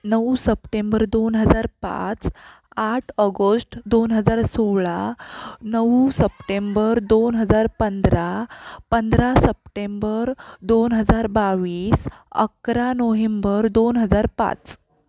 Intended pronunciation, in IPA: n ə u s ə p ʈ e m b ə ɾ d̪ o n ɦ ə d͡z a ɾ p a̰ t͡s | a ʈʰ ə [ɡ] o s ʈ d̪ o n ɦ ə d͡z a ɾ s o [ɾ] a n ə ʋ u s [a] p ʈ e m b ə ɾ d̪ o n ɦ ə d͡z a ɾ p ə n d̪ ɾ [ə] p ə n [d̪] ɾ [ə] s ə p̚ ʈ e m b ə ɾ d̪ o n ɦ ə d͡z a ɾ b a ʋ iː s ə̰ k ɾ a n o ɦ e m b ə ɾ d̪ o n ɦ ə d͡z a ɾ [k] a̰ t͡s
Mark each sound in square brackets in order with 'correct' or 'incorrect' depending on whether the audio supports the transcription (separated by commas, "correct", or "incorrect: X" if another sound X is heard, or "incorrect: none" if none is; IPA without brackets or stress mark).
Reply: correct, incorrect: ɭ, incorrect: ə, incorrect: a, correct, incorrect: a, incorrect: p